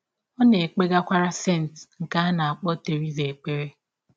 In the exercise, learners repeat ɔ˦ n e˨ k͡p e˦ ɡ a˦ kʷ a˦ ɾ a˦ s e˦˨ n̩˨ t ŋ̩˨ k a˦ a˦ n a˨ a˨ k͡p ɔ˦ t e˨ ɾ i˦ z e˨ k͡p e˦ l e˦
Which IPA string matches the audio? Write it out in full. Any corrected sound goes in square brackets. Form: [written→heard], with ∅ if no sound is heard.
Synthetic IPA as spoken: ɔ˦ n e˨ k͡p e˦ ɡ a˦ kʷ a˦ ɾ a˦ s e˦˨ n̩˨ t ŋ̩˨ k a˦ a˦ n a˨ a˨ k͡p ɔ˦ t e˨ ɾ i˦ z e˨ k͡p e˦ [l→ɾ] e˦

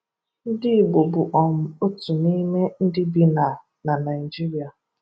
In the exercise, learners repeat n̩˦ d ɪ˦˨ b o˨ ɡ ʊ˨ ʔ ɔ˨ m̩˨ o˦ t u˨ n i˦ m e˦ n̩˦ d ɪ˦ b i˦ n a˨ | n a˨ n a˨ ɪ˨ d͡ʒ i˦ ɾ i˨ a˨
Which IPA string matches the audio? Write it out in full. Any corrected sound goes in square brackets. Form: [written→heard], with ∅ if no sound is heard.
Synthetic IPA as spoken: n̩˦ d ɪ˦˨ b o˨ [ɡ→b] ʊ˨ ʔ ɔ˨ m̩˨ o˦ t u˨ n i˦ m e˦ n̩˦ d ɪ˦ b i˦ n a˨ | n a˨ n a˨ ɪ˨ d͡ʒ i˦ ɾ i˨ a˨

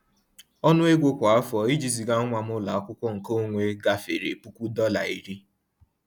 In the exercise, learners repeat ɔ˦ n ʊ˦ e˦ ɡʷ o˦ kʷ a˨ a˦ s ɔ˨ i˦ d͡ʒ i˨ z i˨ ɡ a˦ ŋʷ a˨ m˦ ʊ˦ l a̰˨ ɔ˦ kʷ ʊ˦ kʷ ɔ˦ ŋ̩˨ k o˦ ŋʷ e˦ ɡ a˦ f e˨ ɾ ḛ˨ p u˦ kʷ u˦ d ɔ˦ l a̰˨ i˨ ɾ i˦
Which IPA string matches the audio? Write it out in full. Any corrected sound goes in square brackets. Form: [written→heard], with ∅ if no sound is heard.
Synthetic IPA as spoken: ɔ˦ n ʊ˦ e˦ ɡʷ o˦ kʷ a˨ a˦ [s→f] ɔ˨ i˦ d͡ʒ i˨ z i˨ ɡ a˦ ŋʷ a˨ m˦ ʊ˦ l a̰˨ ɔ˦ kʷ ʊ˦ kʷ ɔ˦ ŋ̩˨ k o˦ ŋʷ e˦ ɡ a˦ f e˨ ɾ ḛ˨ p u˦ kʷ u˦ d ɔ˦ l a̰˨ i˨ ɾ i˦

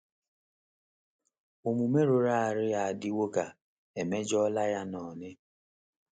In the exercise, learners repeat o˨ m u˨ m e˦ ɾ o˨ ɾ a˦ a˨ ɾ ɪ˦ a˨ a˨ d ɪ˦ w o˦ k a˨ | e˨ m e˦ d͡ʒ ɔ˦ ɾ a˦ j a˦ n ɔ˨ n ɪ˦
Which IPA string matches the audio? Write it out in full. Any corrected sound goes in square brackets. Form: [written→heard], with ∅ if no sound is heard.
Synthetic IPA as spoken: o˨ m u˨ m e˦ ɾ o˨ ɾ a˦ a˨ ɾ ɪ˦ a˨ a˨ d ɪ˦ w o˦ k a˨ | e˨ m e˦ d͡ʒ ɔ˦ [ɾ→l] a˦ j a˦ n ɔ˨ n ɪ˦

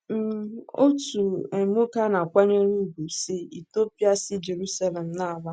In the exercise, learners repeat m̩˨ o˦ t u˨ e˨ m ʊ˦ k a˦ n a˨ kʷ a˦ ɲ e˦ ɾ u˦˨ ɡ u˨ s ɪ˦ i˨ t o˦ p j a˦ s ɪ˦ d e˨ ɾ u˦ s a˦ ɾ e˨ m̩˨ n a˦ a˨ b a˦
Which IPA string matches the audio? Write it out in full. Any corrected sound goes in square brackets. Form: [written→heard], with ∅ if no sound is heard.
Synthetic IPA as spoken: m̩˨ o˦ t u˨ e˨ m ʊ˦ k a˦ n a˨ kʷ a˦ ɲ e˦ ɾ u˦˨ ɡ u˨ s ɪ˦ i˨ t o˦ p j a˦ s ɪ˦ [d→d͡ʒ] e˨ ɾ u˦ s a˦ [ɾ→l] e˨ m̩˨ n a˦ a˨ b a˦

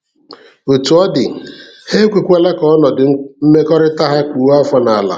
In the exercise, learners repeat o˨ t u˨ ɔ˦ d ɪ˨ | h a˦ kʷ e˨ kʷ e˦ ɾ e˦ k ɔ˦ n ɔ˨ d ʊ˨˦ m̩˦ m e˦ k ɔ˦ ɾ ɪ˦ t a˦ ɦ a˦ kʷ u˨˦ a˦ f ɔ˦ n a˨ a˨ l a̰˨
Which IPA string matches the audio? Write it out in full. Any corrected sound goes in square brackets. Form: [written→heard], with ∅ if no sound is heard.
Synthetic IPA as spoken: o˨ t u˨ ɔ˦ d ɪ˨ | h [a˦→e˦] kʷ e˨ kʷ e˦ [ɾ→l] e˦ k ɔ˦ n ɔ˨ d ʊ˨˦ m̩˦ m e˦ k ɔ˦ ɾ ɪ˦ t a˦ ɦ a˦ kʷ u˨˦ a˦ f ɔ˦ n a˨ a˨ l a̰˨

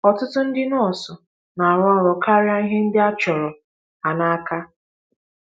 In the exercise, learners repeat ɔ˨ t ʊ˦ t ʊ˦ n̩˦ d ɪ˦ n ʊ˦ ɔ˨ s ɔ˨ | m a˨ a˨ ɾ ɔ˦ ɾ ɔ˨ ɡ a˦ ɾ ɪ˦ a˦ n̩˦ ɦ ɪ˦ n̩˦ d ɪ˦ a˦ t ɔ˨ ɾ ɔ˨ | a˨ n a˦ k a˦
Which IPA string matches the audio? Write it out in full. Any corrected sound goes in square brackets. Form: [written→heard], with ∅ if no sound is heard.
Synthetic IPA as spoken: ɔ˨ t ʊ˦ t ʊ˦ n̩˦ d ɪ˦ n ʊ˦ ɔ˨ s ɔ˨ | [m→n] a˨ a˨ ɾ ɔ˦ ɾ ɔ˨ [ɡ→k] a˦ ɾ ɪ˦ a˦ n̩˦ ɦ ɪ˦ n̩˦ d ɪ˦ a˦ [t→t͡ʃ] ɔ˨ ɾ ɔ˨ | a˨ n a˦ k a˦

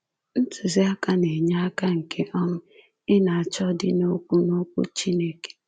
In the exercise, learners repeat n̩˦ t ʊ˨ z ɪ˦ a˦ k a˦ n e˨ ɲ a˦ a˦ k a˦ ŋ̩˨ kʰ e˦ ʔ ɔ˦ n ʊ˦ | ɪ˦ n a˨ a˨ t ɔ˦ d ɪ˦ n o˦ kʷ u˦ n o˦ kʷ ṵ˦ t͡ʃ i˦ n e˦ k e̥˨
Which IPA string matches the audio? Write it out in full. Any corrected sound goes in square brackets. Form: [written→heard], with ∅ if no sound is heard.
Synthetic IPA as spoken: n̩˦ t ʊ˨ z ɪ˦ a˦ k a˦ n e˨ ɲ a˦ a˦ k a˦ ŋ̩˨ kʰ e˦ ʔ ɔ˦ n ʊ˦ | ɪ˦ n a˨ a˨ [t→t͡ʃ] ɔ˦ d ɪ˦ n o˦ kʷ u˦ n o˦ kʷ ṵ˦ t͡ʃ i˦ n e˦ k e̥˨

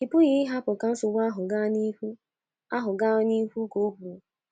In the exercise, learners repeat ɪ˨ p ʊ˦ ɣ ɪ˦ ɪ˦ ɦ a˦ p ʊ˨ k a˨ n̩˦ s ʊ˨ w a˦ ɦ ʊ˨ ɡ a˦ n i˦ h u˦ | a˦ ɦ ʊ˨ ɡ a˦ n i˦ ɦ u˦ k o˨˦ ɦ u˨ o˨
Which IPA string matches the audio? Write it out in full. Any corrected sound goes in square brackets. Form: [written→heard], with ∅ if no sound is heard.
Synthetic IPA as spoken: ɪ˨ p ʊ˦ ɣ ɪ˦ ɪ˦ ɦ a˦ p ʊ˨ k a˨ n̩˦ s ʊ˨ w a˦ ɦ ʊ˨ ɡ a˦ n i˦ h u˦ | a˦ ɦ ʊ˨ ɡ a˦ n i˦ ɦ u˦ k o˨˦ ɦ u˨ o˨

